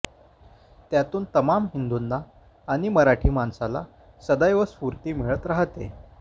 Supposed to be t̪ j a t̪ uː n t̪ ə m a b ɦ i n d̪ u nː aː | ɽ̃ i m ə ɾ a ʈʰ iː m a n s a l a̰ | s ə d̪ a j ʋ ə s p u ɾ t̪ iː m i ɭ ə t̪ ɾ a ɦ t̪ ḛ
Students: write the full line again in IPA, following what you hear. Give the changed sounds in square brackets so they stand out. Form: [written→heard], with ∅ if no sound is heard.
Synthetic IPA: t̪ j a t̪ uː n t̪ ə m a [b→m] ɦ i n d̪ u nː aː | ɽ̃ i m ə ɾ a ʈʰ iː m a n s a l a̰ | s ə d̪ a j ʋ ə s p u ɾ t̪ iː m i ɭ ə t̪ ɾ a ɦ t̪ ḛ